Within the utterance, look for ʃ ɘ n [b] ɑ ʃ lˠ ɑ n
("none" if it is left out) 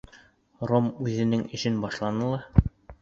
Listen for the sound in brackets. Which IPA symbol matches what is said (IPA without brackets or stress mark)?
b